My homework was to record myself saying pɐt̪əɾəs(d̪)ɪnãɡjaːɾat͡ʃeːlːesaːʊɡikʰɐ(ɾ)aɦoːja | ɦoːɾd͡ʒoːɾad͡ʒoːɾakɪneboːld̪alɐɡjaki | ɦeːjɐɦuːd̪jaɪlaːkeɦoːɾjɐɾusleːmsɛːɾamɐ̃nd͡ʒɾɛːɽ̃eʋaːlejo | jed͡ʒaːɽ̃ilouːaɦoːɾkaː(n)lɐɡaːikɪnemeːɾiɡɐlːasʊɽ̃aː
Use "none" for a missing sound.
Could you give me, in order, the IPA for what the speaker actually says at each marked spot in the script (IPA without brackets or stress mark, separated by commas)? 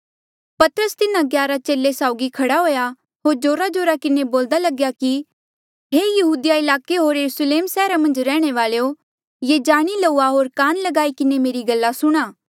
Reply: t̪, ɽ, n